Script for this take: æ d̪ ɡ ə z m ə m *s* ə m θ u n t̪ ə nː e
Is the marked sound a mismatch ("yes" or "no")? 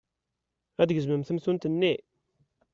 yes